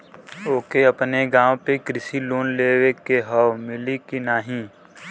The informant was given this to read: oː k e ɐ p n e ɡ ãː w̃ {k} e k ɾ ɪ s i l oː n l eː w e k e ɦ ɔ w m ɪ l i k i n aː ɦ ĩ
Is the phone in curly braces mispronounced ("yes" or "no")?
yes